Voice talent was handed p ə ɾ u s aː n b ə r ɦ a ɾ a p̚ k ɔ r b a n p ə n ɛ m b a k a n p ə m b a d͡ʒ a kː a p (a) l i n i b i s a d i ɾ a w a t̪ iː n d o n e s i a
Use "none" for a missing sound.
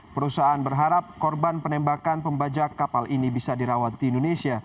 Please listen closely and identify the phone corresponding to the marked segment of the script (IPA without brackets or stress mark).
a